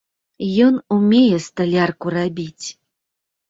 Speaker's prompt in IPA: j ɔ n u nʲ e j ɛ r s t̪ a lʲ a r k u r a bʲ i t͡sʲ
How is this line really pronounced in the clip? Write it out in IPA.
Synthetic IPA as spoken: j ɔ n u mʲ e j ɛ s t̪ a lʲ a r k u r a bʲ i t͡sʲ